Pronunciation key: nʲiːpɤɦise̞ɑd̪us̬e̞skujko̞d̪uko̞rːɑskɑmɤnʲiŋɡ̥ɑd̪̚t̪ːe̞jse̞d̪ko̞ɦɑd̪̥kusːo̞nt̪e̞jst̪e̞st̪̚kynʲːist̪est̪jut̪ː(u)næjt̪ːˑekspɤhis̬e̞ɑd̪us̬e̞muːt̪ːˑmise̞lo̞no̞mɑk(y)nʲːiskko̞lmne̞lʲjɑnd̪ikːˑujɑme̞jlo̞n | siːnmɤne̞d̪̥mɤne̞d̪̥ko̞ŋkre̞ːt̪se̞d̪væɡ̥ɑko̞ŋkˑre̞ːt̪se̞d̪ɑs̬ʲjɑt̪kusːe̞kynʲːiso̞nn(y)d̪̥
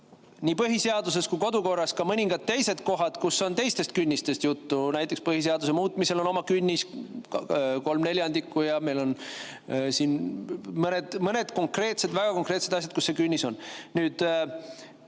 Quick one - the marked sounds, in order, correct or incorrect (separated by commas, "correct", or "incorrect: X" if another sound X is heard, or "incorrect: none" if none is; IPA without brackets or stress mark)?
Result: correct, correct, incorrect: yː